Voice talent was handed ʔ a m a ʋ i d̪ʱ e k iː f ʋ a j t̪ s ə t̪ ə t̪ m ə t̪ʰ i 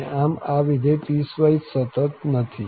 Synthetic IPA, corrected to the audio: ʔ a m a ʋ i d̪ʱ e p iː s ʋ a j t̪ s ə t̪ ə t̪ n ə t̪ʰ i

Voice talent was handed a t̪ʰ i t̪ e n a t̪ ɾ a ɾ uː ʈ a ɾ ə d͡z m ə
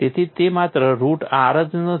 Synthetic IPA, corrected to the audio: e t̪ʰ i t̪ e m a t̪ ɾ ə ɾ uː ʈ a ɾ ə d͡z n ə

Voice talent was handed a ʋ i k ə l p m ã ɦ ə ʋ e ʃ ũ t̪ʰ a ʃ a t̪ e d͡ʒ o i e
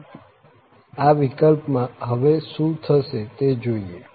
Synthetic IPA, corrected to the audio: a ʋ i k ə l p m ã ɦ ə ʋ e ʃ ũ t̪ʰ ə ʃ e t̪ e d͡ʒ o i e

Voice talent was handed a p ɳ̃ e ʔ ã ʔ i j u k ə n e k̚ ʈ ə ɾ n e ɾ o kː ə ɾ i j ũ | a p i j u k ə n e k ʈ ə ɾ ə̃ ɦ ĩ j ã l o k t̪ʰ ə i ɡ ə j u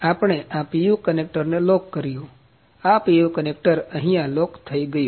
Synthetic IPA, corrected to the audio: a p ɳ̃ e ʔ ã p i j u k ə n e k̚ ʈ ə ɾ n e l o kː ə ɾ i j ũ | a p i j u k ə n e k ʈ ə ɾ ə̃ ɦ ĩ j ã l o k t̪ʰ ə i ɡ ə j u

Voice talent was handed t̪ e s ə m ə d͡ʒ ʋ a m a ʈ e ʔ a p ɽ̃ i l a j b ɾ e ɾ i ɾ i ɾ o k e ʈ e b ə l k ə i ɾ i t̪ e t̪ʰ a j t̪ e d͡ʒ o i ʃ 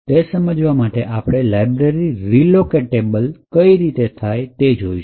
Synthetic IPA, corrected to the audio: t̪ e s ə m ə d͡ʒ ʋ a m a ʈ e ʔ a p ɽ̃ e l a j b ɾ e ɾ i ɾ i l o k e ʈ e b ə l k ə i ɾ i t̪ e t̪ʰ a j t̪ e d͡ʒ o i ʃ

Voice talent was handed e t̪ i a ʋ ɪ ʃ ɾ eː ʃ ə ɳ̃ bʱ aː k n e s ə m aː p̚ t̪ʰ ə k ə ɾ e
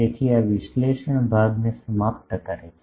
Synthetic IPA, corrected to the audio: e t̪ʰ i a ʋ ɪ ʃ l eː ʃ ə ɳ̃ bʱ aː ɡ n e s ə m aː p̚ t̪ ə k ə ɾ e

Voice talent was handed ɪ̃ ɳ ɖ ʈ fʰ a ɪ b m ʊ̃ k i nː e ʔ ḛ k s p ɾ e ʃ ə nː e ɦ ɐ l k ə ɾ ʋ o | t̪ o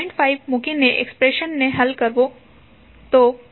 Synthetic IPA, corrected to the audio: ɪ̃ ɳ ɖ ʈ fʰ a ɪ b m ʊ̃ k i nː e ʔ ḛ k s p ɾ e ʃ ə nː e ɦ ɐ l k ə ɾ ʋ o | t̪ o

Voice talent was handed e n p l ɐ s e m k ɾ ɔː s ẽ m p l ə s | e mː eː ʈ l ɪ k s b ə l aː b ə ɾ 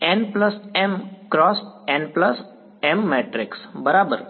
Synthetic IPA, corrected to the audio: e n p l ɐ s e m k ɾ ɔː s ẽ n p l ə s | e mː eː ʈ ɾ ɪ k s b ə ɾ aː b ə ɾ

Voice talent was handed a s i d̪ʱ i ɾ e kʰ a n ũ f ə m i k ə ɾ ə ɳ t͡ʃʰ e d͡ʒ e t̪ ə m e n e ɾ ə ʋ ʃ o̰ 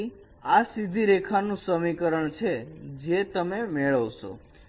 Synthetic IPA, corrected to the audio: a s i d̪ʱ i ɾ e kʰ a n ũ s ə m i k ə ɾ ə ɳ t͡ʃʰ e d͡ʒ e t̪ ə m e m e ɭ ə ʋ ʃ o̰

